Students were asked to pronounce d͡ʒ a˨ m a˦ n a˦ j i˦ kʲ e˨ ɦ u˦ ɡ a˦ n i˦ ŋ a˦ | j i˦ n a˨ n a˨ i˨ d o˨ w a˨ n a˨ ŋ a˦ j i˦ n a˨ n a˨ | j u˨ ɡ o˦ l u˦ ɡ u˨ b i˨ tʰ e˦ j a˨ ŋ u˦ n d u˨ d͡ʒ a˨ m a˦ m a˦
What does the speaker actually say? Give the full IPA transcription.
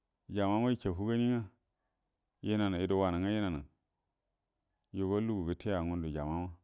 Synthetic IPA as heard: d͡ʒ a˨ m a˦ m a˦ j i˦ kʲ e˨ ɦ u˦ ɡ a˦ n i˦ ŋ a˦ | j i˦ n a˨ n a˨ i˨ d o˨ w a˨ n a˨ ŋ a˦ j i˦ n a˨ n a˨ | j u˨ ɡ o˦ l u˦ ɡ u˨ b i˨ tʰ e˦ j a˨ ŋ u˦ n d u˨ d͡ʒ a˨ m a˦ m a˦